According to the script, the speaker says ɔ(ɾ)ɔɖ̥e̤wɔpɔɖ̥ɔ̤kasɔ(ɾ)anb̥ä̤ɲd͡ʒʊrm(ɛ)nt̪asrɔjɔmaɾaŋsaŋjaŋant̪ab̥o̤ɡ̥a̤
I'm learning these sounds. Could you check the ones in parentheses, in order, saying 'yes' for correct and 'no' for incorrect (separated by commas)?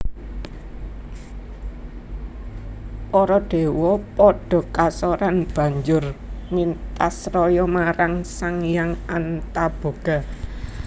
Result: yes, yes, no